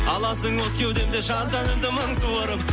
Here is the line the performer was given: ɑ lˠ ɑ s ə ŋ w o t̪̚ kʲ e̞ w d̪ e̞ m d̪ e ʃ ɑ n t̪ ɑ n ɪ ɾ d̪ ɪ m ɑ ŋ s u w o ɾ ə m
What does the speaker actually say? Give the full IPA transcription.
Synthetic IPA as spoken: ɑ lˠ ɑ s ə ŋ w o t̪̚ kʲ e̞ w d̪ e̞ m d̪ e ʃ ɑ n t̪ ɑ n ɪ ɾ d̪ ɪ m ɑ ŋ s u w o ɾ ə m

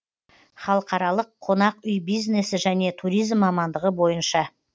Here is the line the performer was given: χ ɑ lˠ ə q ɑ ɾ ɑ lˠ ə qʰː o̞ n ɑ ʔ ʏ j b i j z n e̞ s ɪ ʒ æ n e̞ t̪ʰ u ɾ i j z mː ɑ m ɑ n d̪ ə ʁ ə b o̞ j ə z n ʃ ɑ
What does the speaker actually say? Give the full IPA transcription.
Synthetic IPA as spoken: χ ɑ lˠ ə q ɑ ɾ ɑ lˠ ə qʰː o̞ n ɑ q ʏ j b i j z n e̞ s ɪ ʒ æ n e̞ t̪ʰ u ɾ i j z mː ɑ m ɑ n d̪ ə ʁ ə b o̞ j ə n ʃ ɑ

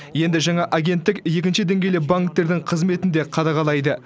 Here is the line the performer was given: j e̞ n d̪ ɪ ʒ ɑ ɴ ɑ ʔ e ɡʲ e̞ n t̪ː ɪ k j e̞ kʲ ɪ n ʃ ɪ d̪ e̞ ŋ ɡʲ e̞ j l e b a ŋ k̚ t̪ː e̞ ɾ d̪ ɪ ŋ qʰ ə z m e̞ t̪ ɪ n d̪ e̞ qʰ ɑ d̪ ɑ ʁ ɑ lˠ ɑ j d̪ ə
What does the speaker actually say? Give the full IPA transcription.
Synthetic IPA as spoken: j e̞ n d̪ ɪ ʒ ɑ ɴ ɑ ʔ a ɡʲ e̞ n t̪ː ɪ k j e̞ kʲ ɪ n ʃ ɪ d̪ e̞ ŋ ɡʲ e̞ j l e b a ŋ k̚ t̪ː e̞ ɾ d̪ ɪ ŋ qʰ ə z m e̞ t̪ ɪ n d̪ e̞ qʰ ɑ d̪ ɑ ʁ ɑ lˠ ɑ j d̪ ə

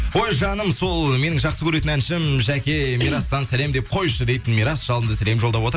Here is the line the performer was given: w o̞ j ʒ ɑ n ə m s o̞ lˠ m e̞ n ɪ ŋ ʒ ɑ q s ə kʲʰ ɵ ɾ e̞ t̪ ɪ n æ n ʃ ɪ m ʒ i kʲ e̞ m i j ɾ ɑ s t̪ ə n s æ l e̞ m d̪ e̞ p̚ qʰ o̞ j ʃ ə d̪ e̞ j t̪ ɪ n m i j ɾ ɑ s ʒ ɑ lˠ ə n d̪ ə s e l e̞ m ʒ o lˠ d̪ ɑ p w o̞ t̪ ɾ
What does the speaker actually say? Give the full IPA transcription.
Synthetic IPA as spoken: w o̞ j ʒ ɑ n ə m s o̞ lˠ m e̞ n ɪ ŋ ʒ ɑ q s ə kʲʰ ɵ ɾ e̞ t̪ ɪ n æ n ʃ ɪ m ʒ æ kʲ e̞ m i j ɾ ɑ s t̪ ɑ n s æ l e̞ m d̪ e̞ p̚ qʰ o̞ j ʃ ə d̪ e̞ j t̪ ɪ n m i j ɾ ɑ s ʒ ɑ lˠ ə n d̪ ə s æ l e̞ m ʒ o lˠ d̪ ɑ p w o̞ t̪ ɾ

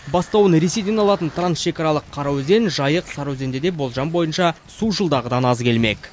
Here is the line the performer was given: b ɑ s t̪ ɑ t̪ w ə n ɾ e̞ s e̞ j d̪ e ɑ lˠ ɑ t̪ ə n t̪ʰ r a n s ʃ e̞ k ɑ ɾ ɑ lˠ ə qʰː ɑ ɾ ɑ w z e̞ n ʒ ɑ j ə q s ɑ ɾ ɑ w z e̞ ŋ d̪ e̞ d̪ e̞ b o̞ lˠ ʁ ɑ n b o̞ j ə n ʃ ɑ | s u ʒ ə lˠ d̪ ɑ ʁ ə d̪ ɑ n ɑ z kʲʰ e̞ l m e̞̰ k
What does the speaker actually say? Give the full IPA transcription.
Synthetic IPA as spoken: b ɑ s t̪ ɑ w ə n ɾ e̞ s e̞ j d̪ e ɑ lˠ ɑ t̪ ə n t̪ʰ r a n s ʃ e̞ k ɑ ɾ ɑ lˠ ə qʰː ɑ ɾ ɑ w z e̞ n ʒ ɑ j ə q s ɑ ɾ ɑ w z e̞ n d̪ e̞ d̪ e̞ b o̞ lˠ ʒ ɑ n b o̞ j ə n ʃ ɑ | s u ʒ ə lˠ d̪ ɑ ʁ ə d̪ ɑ n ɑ z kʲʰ e̞ l m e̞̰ k

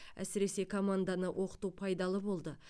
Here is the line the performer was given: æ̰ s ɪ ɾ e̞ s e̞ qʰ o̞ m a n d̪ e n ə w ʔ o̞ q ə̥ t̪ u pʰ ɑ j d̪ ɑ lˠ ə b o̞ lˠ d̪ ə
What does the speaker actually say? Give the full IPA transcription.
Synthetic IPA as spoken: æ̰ s ɪ ɾ e̞ s e̞ kʰ o̞ m a n d̪ a n ə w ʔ o̞ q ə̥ t̪ u pʰ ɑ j d̪ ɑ lˠ ə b o̞ lˠ d̪ ə

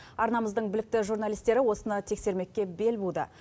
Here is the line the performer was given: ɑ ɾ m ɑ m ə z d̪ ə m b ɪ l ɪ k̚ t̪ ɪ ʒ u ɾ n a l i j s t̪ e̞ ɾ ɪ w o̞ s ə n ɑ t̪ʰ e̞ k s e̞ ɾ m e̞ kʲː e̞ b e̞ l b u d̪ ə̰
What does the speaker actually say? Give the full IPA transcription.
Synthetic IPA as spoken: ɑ ɾ n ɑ m ə z d̪ ə ɴ b ɪ l ɪ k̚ t̪ ɪ ʒ u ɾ n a l i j s t̪ e̞ ɾ ɪ w o̞ s ə n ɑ t̪ʰ e̞ k s e̞ ɾ m e̞ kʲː e̞ b e̞ l b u d̪ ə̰

